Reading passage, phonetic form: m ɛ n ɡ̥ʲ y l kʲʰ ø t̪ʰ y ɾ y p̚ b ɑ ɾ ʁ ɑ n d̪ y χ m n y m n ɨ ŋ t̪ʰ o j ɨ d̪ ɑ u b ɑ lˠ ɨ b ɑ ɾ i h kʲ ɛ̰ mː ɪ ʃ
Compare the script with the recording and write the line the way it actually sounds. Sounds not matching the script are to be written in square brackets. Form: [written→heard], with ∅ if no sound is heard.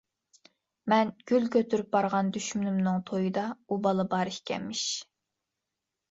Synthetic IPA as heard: m ɛ n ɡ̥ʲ y l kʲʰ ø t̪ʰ y ɾ y p̚ b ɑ ɾ ʁ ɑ n d̪ y [χ→ʃ] m n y m n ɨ ŋ t̪ʰ o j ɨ d̪ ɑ u b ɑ lˠ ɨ b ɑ ɾ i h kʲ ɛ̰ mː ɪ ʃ